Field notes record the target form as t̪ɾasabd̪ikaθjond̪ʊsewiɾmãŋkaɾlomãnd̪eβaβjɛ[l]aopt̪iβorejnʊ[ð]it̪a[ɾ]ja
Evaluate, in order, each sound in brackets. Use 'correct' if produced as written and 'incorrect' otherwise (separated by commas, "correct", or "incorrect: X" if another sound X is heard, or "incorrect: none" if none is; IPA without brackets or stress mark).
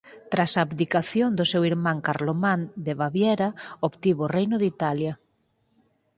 incorrect: ɾ, correct, incorrect: l